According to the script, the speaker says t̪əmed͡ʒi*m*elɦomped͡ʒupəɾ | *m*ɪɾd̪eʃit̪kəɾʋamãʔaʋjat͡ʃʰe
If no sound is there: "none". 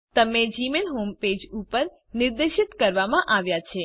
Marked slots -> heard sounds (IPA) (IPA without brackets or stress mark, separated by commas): m, n